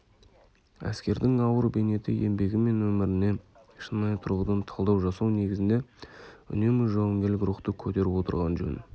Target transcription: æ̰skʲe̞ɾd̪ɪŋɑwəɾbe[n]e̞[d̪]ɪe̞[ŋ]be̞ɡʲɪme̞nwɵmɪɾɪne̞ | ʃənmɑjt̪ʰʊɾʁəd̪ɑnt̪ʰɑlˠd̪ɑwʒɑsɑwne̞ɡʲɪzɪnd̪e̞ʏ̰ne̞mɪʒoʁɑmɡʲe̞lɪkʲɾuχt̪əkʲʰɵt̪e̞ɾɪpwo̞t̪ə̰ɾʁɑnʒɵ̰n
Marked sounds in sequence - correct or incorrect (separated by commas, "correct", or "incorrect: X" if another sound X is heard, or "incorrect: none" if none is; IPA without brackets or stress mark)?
correct, incorrect: t̪, incorrect: m